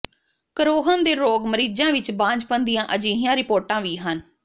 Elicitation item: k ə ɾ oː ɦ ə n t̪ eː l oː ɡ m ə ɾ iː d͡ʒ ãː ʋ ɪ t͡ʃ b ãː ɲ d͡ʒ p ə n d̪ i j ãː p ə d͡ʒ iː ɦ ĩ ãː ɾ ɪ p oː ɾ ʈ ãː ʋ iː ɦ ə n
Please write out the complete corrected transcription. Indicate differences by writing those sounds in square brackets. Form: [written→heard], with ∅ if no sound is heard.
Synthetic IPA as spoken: k ə ɾ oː ɦ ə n [t̪→d̪] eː [l→ɾ] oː ɡ m ə ɾ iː d͡ʒ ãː ʋ ɪ t͡ʃ b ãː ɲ d͡ʒ p ə n d̪ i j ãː [p→ʔ] ə d͡ʒ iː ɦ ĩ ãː ɾ ɪ p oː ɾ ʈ ãː ʋ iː ɦ ə n

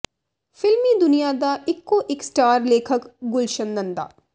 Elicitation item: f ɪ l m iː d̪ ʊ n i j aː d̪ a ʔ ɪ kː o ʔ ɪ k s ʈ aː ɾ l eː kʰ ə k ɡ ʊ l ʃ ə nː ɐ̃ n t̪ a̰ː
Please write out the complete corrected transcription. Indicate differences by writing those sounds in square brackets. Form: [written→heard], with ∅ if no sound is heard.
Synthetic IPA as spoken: f ɪ l m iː d̪ ʊ n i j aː d̪ a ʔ ɪ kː o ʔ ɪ k s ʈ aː ɾ l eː kʰ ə k ɡ ʊ l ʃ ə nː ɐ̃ n [t̪→d̪] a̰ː

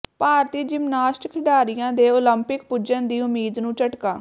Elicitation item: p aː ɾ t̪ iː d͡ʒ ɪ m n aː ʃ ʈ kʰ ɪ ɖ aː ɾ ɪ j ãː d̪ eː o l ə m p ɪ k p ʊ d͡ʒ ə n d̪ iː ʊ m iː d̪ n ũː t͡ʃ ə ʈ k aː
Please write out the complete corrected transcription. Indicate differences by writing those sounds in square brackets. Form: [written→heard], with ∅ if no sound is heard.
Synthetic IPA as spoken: p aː ɾ t̪ iː d͡ʒ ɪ m n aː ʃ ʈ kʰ ɪ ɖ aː ɾ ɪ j ãː d̪ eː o l ə m p ɪ k p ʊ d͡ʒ ə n d̪ iː ʊ m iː d̪ n ũː t͡ʃ ə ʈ k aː

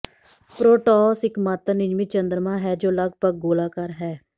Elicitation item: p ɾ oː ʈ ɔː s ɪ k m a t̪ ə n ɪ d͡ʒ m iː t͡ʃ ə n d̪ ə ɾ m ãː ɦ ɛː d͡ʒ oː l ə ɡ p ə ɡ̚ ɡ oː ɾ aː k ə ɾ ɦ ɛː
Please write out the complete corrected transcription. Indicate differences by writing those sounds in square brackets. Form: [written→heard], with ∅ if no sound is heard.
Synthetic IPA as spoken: p ɾ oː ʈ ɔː s ɪ k m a t̪ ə n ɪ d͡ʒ m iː t͡ʃ ə n d̪ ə ɾ m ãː ɦ ɛː d͡ʒ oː l ə ɡ p ə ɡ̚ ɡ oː [ɾ→l] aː k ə ɾ ɦ ɛː

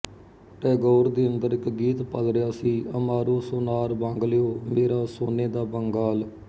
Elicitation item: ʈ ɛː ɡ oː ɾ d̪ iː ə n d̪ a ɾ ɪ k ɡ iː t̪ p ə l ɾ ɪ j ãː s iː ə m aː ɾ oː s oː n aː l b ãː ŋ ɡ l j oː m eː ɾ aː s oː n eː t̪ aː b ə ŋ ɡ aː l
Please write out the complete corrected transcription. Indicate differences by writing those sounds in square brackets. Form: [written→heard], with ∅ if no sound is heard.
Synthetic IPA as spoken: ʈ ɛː ɡ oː ɾ d̪ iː ə n d̪ [a→ə] ɾ ɪ k ɡ iː t̪ p ə l ɾ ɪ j [ãː→aː] s iː ə m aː ɾ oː s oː n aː [l→ɾ] b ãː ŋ ɡ l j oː m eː ɾ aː s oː n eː [t̪→d̪] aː b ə ŋ ɡ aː l

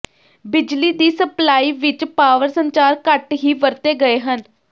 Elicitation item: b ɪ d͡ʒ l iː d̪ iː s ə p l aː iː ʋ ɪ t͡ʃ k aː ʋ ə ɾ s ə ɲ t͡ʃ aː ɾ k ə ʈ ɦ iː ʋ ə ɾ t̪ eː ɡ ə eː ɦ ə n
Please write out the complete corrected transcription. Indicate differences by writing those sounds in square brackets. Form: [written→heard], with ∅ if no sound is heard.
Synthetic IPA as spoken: b ɪ d͡ʒ l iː d̪ iː s ə p l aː iː ʋ ɪ t͡ʃ [k→p] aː ʋ ə ɾ s ə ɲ t͡ʃ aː ɾ k ə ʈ ɦ iː ʋ ə ɾ t̪ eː ɡ ə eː ɦ ə n

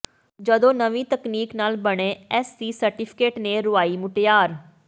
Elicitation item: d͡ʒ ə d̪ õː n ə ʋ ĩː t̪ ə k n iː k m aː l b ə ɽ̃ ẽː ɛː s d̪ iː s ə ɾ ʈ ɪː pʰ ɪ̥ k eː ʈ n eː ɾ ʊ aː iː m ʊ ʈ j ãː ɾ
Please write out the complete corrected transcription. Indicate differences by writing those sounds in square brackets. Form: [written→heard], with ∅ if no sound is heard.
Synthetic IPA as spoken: d͡ʒ ə d̪ õː n ə ʋ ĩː t̪ ə k n iː k [m→n] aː l b ə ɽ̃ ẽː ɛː s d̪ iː s ə ɾ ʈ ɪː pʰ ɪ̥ k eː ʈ n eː ɾ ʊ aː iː m ʊ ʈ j [ãː→aː] ɾ

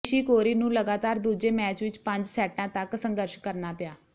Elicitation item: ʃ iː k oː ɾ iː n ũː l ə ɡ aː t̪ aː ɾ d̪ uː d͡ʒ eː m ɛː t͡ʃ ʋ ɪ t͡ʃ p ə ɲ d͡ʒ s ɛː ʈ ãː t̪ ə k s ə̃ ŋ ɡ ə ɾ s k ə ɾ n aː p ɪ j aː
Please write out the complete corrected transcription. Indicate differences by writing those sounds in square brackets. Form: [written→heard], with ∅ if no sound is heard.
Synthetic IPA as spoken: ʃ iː k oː ɾ iː n ũː l ə ɡ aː t̪ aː ɾ d̪ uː d͡ʒ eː m ɛː t͡ʃ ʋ ɪ t͡ʃ p ə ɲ d͡ʒ s ɛː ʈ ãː t̪ ə k s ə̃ ŋ ɡ ə ɾ [s→ʃ] k ə ɾ n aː p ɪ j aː

